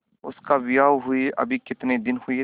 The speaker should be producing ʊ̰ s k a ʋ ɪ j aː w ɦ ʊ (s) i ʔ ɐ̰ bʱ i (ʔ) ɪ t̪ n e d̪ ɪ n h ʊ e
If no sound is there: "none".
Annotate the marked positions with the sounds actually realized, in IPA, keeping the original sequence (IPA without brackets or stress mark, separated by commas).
none, k